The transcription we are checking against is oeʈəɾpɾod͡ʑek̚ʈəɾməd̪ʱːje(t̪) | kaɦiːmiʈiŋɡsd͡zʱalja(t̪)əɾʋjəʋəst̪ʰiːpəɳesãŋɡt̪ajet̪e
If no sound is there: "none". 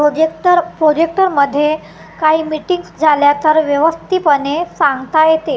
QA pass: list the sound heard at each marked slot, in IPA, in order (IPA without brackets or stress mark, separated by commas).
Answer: none, t̪